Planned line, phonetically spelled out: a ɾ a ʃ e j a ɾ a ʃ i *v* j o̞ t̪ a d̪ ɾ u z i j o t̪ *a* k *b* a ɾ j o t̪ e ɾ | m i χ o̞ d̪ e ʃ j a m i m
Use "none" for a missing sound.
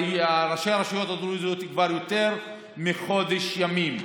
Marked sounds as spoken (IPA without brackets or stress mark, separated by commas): none, i, v